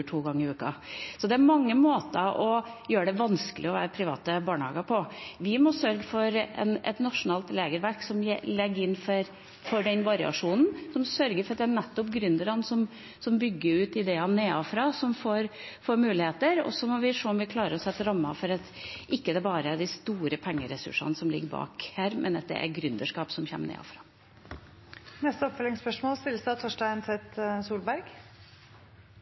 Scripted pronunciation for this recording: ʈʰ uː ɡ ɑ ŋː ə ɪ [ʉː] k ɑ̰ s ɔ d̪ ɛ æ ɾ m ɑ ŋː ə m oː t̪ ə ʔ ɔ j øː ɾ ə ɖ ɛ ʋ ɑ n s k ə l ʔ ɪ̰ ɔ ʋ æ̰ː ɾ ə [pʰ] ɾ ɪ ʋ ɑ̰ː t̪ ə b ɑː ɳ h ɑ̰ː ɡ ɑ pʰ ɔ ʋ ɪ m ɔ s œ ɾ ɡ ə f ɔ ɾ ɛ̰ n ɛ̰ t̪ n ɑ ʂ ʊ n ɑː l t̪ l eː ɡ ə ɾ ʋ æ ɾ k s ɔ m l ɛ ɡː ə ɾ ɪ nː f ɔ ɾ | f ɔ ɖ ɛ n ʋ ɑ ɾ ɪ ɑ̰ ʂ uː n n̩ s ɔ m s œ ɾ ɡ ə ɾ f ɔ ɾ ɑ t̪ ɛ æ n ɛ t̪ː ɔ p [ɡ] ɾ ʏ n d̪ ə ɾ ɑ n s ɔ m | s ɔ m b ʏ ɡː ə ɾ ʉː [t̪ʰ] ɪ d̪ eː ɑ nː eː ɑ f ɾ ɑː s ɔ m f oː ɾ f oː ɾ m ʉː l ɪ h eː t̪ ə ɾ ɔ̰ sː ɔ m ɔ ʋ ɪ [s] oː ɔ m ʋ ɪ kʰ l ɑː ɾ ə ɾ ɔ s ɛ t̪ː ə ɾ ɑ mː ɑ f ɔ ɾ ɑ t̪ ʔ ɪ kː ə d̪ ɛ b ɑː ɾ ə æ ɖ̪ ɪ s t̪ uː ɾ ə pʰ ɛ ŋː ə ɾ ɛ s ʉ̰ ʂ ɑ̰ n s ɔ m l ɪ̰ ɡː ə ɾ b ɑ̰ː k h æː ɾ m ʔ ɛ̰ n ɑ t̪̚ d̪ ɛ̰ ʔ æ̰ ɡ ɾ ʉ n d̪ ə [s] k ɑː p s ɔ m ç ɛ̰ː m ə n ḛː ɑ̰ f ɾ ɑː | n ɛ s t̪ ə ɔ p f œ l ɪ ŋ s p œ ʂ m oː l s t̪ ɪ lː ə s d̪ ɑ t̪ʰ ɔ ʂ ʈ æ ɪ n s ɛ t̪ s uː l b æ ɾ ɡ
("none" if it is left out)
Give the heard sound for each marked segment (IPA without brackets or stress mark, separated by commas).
ʉː, pʰ, ɡ, t̪, ʂ, ʂ